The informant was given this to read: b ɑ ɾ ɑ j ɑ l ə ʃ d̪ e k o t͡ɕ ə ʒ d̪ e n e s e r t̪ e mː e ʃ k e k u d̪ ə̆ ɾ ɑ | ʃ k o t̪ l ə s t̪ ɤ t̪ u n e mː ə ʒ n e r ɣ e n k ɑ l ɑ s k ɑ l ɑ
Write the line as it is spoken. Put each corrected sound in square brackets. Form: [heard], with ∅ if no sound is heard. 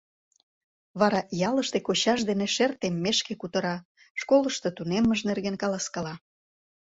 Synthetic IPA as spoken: [β] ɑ ɾ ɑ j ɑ l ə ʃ [t̪] e k o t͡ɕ [ɑ] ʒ d̪ e n e [ʃ] e r t̪ e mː e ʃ k e k u [t̪] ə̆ ɾ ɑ | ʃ k o [∅] l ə [ʃ] t̪ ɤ t̪ u n e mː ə ʒ n e r ɣ e n k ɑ l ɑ s k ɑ l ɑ